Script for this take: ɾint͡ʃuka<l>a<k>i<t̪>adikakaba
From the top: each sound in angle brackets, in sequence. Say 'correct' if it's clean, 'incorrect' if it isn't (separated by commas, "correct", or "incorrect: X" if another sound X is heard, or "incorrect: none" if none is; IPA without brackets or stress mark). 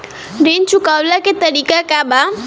correct, correct, correct